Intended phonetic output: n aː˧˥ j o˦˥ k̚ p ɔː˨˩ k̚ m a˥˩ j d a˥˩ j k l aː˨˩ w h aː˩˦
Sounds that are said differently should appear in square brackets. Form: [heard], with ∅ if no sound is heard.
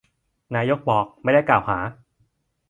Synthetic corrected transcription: n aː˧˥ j o˦˥ k̚ [b] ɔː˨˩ k̚ m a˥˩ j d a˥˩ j k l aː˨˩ w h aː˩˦